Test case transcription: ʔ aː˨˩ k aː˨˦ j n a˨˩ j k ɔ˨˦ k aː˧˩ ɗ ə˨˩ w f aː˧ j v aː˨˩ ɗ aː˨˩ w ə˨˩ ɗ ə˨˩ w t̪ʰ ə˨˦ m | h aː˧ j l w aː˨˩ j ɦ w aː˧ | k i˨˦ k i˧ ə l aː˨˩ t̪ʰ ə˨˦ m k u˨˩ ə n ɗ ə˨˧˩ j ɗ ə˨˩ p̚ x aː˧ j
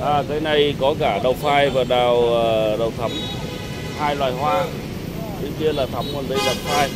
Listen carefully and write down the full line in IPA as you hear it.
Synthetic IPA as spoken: ʔ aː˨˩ k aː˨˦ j n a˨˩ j k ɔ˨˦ k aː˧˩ ɗ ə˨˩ w f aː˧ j v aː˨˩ ɗ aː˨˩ w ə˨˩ ɗ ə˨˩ w t̪ʰ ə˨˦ m | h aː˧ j l w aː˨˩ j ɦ w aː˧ | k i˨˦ k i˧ ə l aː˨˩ t̪ʰ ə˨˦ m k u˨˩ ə n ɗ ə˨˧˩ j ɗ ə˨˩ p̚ f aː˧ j

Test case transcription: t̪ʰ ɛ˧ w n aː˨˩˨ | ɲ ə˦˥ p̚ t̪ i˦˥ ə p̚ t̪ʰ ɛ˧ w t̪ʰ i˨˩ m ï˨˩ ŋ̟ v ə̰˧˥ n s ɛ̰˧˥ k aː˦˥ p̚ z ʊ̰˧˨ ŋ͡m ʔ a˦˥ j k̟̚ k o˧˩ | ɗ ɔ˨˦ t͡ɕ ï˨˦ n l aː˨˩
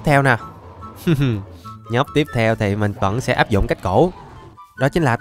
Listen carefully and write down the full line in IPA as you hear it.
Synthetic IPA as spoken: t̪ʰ ɛ˧ w n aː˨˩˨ | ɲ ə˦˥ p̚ t̪ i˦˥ ə p̚ t̪ʰ ɛ˧ w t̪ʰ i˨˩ m ï˨˩ ŋ̟ v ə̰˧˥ n s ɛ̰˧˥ ʔ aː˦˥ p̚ z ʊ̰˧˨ ŋ͡m k a˦˥ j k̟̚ k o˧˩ | ɗ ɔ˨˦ t͡ɕ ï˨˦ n l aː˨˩

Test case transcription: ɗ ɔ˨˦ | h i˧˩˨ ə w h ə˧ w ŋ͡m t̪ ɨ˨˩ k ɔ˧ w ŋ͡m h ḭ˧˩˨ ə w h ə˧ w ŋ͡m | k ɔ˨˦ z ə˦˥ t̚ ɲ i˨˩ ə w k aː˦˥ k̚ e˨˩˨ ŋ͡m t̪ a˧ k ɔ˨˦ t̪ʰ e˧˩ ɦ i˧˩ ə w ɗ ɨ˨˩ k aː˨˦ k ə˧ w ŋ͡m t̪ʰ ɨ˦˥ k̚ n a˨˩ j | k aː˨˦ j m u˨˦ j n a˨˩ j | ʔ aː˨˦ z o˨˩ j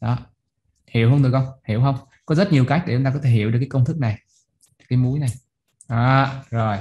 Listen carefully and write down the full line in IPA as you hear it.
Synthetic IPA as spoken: ɗ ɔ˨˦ | h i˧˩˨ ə w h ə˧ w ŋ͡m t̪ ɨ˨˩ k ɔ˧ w ŋ͡m h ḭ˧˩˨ ə w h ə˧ w ŋ͡m | k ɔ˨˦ z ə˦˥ t̚ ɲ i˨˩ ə w k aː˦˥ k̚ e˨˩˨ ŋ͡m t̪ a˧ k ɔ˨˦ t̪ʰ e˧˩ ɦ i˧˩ ə w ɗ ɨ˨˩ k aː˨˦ k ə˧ w ŋ͡m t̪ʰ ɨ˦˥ k̚ n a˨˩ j | k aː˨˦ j m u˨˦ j n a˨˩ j | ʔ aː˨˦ z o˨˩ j

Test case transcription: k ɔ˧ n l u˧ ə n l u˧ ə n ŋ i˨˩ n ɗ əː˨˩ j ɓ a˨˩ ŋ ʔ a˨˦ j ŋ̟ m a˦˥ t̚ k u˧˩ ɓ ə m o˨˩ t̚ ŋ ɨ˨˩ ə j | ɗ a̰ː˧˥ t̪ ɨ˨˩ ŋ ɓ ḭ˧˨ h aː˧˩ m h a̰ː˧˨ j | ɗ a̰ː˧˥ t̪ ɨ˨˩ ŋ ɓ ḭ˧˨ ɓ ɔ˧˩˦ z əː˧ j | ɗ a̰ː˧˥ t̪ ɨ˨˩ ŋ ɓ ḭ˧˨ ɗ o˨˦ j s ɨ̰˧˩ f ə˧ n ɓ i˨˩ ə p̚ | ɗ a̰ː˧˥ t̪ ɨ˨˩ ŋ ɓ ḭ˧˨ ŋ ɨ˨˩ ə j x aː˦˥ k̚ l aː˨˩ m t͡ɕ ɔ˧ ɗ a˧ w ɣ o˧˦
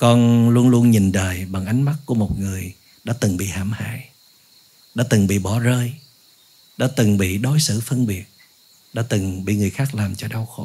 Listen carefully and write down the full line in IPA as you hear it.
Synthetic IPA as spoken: k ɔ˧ n l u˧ ə n l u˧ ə n ɲ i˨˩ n ɗ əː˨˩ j ɓ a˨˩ ŋ ʔ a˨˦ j ŋ̟ m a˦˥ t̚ k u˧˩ ə m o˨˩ t̚ ŋ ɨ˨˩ ə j | ɗ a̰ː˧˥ t̪ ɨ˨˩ ŋ ɓ ḭ˧˨ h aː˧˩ m h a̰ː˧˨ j | ɗ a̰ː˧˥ t̪ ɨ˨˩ ŋ ɓ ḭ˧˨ ɓ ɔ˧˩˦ z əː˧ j | ɗ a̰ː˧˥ t̪ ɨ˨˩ ŋ ɓ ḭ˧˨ ɗ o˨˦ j s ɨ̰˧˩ f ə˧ n ɓ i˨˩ ə t̚ | ɗ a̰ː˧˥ t̪ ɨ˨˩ ŋ ɓ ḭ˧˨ ŋ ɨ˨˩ ə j x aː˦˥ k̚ l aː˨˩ m t͡ɕ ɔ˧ ɗ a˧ w x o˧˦

